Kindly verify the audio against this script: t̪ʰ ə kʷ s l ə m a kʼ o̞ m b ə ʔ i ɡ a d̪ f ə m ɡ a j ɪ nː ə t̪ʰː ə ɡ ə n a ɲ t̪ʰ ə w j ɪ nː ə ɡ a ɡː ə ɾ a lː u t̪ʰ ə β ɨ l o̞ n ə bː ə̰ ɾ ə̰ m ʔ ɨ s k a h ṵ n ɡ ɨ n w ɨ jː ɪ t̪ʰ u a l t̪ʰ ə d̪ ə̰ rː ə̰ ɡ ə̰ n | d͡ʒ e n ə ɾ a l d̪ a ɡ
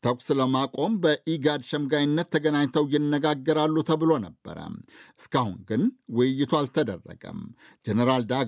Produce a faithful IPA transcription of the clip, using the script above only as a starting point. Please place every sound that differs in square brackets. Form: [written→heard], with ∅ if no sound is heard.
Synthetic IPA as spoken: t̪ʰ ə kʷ s l ə m a kʼ o̞ m b ə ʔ i ɡ a d̪ [f→ʃ] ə m ɡ a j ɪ nː ə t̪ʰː ə ɡ ə n a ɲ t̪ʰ ə w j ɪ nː ə ɡ a ɡː ə ɾ a lː u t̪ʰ ə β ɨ l o̞ n ə bː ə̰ ɾ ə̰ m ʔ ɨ s k a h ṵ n ɡ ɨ n w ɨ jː ɪ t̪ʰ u a l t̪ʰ ə d̪ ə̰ rː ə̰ ɡ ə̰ [n→m] | d͡ʒ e n ə ɾ a l d̪ a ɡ